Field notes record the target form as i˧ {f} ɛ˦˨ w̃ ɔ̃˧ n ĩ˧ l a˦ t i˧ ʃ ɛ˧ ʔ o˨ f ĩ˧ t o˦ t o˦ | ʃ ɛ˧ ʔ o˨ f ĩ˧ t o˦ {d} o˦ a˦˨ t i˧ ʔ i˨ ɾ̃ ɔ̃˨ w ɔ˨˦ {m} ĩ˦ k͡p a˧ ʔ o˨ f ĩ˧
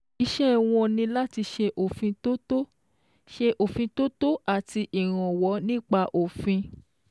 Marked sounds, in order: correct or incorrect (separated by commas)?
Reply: incorrect, incorrect, incorrect